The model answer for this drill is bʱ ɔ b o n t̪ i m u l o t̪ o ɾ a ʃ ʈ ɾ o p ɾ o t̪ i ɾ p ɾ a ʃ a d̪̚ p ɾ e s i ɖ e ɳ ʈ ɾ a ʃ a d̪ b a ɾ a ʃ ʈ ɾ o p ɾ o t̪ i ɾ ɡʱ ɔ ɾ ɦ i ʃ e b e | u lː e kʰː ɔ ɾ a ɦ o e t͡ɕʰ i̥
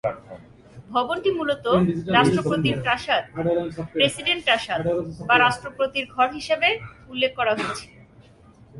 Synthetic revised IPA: bʱ ɔ b o n t̪ i m u l o t̪ o ɾ a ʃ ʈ ɾ o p ɾ o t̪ i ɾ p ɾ a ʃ a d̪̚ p ɾ e s i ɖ e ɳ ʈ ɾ a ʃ a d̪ b a ɾ a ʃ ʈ ɾ o p ɾ o t̪ i ɾ ɡʱ ɔ ɾ ɦ i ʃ e b e | u lː e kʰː ɔ ɾ a ɦ o e t͡ɕʰ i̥